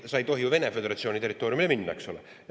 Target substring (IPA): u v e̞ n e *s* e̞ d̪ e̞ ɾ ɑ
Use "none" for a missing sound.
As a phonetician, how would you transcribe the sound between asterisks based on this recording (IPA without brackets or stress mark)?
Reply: f